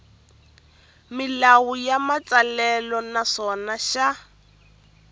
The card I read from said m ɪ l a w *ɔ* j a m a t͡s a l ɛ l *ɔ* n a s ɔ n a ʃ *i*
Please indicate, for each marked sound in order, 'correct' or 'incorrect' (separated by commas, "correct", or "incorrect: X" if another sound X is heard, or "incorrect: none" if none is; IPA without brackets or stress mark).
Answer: incorrect: u, correct, incorrect: a